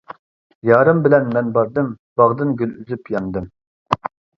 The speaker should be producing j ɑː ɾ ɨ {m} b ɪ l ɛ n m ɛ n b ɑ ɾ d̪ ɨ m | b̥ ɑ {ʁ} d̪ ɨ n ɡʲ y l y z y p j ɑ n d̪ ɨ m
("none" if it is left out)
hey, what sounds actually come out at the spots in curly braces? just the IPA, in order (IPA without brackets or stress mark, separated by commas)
m, ʁ